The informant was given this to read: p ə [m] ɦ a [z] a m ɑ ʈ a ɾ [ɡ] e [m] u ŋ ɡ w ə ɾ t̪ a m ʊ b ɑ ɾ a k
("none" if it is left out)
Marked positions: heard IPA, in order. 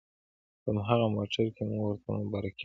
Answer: m, ɣ, k, m

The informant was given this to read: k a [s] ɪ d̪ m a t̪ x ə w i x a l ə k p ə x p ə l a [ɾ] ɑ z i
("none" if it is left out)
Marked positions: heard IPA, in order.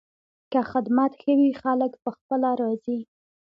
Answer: x, ɾ

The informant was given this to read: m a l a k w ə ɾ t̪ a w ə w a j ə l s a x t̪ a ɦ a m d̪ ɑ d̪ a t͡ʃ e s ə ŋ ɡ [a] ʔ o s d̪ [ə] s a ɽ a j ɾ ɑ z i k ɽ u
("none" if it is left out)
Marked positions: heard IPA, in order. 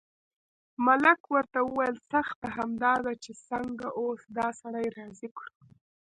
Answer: a, ɑ

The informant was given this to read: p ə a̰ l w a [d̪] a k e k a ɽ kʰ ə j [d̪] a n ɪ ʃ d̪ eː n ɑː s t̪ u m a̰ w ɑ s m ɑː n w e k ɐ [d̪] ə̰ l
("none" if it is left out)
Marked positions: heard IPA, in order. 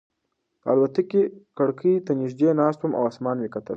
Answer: t̪, t̪, t̪

